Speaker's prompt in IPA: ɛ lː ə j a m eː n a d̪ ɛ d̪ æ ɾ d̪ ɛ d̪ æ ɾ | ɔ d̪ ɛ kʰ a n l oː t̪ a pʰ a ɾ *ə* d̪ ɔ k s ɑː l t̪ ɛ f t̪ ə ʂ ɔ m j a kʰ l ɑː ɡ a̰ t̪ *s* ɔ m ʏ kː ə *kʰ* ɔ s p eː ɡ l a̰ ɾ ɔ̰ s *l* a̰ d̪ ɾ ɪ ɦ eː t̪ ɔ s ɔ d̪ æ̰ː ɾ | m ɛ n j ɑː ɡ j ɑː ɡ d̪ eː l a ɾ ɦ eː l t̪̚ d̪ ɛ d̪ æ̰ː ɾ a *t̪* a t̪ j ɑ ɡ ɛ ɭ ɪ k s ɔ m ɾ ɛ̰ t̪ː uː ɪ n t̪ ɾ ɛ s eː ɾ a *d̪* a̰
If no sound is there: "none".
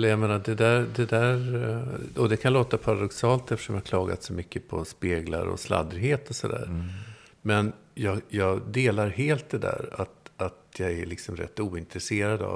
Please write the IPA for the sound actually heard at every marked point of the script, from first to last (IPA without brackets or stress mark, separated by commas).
a, s, pʰ, l, t̪, d̪